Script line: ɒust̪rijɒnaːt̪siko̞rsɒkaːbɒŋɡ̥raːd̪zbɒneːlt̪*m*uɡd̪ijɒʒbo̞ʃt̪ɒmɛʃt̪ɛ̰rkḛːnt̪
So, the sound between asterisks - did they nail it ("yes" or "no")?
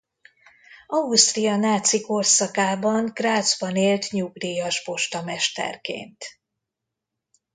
no